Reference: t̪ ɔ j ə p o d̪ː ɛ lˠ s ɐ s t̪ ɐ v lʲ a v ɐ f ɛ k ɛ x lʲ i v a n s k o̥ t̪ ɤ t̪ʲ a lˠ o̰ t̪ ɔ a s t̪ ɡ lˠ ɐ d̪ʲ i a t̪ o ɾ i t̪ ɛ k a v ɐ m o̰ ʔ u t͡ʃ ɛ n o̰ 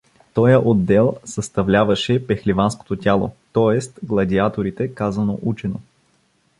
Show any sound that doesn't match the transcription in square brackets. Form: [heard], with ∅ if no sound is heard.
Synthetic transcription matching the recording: t̪ ɔ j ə [ʔ] o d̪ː ɛ lˠ s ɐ s t̪ ɐ v lʲ a v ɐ [ʃ] ɛ [p] ɛ x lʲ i v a n s k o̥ t̪ [o] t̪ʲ a lˠ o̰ t̪ ɔ [ɛ] s t̪ ɡ lˠ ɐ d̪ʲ i a t̪ o ɾ i t̪ ɛ k a [z] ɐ [n] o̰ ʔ u t͡ʃ ɛ n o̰